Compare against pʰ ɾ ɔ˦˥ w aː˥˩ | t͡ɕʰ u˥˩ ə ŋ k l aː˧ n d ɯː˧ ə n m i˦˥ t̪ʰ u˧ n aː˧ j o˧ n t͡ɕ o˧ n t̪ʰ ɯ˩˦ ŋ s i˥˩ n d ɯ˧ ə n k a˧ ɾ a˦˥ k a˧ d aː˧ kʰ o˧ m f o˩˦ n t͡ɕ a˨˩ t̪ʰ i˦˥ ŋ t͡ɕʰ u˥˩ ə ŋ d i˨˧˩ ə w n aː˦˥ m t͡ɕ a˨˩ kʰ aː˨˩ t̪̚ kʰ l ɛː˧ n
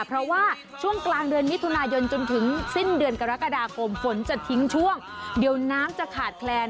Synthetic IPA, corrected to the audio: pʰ ɾ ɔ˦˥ w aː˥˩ | t͡ɕʰ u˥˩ ə ŋ k l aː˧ ŋ d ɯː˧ ə n m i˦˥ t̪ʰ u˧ n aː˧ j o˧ n t͡ɕ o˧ n t̪ʰ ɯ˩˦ ŋ s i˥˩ n d ɯ˧ ə n k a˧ ɾ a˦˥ k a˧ d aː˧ kʰ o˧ m f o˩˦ n t͡ɕ a˨˩ t̪ʰ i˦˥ ŋ t͡ɕʰ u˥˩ ə ŋ d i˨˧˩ ə w n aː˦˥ m t͡ɕ a˨˩ kʰ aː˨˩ t̪̚ kʰ l ɛː˧ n